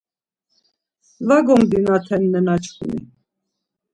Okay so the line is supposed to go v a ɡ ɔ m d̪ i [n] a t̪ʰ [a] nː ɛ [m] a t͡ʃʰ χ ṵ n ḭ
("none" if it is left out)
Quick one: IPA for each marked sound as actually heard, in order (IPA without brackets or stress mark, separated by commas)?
n, ɛ, n